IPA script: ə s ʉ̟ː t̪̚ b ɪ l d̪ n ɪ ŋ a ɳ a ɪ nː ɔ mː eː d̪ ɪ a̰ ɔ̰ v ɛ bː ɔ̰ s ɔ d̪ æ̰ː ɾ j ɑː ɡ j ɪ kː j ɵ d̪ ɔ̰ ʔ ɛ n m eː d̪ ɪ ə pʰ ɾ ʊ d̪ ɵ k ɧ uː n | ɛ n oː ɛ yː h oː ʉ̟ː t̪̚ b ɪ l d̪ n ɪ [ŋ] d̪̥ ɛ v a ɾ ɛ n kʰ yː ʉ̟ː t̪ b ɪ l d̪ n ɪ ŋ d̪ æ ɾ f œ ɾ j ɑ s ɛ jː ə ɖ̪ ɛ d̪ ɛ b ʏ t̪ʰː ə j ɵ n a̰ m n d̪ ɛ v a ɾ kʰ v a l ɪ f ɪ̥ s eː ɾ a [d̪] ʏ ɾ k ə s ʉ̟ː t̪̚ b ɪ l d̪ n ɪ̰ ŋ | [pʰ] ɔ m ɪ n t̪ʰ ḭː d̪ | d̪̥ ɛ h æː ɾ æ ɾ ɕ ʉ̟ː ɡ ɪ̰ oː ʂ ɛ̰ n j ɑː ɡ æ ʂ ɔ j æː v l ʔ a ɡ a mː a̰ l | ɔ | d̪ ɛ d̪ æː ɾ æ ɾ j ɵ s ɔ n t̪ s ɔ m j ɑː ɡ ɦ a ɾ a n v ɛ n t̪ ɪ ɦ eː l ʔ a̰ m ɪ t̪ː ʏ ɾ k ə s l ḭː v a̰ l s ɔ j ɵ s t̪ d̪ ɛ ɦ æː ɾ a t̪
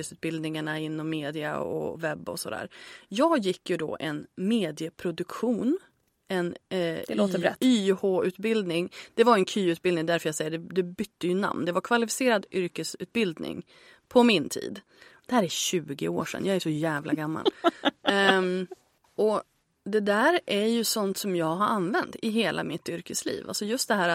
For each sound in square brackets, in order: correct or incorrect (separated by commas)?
correct, correct, correct